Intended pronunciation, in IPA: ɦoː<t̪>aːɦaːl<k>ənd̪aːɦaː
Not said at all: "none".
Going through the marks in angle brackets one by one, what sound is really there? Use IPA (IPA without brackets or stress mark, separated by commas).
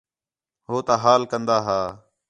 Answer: t̪, k